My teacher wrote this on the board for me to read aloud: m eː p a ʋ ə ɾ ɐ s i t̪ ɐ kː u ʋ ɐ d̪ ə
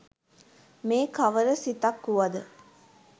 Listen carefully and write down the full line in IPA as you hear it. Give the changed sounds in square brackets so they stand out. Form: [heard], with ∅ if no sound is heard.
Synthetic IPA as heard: m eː [k] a ʋ ə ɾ [ə] s i t̪ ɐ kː u ʋ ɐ d̪ ə